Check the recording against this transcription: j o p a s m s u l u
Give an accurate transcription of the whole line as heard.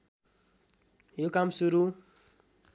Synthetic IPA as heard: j o k a m s u ɾ u